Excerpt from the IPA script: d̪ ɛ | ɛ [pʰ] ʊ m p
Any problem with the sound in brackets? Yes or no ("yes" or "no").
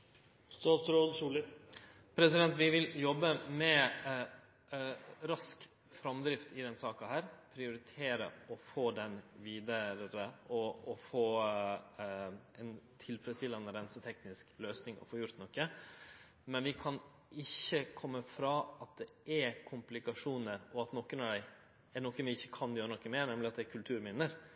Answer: yes